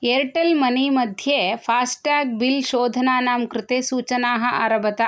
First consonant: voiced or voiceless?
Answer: voiced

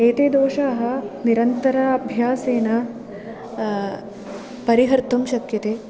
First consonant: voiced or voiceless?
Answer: voiceless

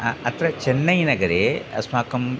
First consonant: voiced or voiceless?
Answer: voiceless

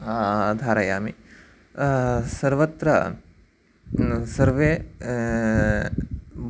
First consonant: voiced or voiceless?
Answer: voiced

